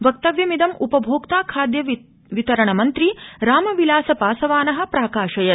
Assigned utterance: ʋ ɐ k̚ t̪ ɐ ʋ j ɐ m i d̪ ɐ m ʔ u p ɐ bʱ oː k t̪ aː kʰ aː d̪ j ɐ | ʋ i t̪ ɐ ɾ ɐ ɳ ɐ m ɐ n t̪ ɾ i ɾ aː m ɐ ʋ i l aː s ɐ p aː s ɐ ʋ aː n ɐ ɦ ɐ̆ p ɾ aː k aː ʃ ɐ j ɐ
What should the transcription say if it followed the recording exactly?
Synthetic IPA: ʋ ɐ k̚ t̪ ɐ ʋ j ɐ m i d̪ ɐ m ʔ u p ɐ bʱ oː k t̪ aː kʰ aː d̪ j ɐ | ʋ i t̪ ɐ ɾ ɐ ɳ ɐ m ɐ n t̪ ɾ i ɾ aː m ɐ ʋ i l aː s ɐ p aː s ɐ ʋ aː n ɐ ɦ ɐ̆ p ɾ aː k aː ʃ ɐ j ɐ